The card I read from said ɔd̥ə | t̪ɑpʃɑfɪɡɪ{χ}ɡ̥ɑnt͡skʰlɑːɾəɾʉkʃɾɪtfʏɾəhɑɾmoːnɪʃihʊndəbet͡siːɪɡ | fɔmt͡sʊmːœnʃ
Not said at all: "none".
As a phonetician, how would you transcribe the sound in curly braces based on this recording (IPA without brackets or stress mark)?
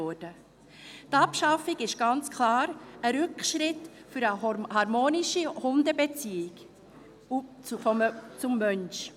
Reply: ʃ